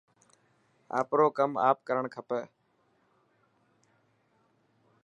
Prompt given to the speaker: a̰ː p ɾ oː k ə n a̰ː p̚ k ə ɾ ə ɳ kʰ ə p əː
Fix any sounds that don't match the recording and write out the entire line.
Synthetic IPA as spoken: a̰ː p ɾ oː k ə m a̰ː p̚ k ə ɾ ə ɳ kʰ ə p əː

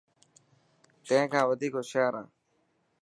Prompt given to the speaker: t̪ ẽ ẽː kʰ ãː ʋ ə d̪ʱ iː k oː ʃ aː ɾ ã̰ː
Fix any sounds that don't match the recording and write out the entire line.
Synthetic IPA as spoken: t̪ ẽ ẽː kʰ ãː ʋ ə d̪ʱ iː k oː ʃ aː ɾ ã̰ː

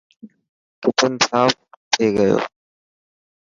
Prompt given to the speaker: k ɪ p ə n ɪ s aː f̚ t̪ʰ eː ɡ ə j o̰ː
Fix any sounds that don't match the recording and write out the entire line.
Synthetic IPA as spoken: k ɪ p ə n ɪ s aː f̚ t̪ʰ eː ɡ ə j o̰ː

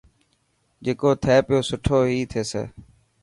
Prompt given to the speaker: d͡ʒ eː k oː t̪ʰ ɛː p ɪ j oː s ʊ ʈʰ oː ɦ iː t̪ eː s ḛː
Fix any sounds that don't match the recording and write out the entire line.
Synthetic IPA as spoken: d͡ʒ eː k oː t̪ʰ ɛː p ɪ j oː s ʊ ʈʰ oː ɦ iː t̪ʰ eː s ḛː

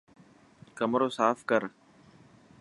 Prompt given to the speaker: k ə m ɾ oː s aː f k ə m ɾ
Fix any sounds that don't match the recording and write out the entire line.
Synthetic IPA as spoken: k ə m ɾ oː s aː f k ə ɾ

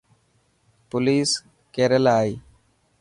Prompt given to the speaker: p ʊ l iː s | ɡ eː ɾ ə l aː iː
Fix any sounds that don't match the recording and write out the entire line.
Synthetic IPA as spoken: p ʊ l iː s | k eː ɾ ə l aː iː

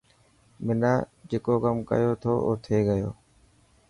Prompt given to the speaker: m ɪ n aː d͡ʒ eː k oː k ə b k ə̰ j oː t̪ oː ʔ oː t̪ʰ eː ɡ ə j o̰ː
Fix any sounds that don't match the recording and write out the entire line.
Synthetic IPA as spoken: m ɪ n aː d͡ʒ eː k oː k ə m k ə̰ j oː t̪ʰ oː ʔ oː t̪ʰ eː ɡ ə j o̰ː

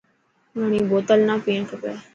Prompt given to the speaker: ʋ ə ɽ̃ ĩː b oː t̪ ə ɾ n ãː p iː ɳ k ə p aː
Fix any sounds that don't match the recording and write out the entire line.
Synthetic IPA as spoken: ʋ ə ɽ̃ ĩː b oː t̪ ə l n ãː p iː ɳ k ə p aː

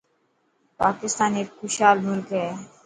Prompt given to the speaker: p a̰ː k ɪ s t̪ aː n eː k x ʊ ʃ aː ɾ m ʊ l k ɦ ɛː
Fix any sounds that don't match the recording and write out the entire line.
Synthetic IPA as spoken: p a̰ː k ɪ s t̪ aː n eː k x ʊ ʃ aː l m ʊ l k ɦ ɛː

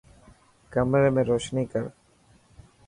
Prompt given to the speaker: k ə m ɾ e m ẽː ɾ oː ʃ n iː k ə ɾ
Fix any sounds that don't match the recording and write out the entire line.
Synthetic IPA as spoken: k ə m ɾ e m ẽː ɾ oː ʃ n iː k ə ɾ

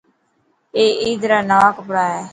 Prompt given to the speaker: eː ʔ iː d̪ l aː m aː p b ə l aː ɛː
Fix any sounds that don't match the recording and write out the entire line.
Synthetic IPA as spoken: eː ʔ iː d̪ ɾ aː n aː k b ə ɽ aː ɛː

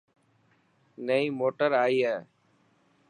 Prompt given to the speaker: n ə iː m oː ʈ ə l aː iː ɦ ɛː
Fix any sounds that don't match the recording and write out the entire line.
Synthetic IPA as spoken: n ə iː m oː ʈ ə ɾ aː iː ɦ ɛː

